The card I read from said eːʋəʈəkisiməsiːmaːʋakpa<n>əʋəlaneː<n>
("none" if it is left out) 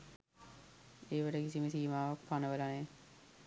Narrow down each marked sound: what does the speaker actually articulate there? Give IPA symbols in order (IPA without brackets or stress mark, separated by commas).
n, none